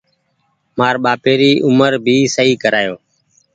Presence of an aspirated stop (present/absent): absent